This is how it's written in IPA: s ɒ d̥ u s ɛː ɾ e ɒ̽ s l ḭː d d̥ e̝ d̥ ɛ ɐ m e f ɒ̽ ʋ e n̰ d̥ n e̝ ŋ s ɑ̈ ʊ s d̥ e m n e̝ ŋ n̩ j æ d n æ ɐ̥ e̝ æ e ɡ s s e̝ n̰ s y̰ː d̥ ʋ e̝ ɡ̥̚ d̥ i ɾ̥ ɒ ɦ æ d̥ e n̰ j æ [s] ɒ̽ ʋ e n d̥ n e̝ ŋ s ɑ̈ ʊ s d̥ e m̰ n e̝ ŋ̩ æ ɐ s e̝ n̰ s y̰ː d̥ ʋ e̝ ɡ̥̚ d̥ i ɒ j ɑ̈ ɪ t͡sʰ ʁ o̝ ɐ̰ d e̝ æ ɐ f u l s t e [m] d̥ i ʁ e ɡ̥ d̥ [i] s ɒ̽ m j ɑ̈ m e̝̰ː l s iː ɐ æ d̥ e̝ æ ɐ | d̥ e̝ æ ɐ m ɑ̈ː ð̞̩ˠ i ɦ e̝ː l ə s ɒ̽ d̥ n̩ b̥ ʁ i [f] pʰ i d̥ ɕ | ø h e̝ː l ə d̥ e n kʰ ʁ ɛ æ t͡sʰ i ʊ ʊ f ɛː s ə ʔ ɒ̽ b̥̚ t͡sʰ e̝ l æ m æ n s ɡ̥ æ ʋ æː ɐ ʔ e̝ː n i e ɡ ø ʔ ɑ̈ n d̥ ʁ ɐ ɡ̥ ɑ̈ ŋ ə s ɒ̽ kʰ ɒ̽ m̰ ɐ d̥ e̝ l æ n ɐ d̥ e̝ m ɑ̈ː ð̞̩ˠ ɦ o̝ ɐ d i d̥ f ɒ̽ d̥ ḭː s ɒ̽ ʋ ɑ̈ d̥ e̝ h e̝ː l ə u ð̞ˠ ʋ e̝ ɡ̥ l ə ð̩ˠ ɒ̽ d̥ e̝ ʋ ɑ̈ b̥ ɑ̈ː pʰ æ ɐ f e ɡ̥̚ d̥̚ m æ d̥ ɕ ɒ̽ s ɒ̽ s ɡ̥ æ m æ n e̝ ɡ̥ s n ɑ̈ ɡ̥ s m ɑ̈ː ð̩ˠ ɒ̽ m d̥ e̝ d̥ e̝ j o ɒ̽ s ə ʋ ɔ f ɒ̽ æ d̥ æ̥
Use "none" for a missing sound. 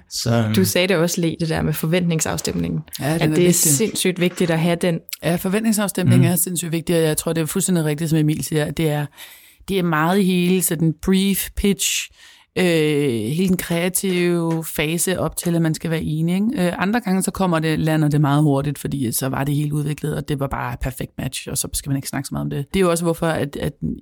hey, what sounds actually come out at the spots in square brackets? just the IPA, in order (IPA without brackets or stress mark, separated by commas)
f, n, i, f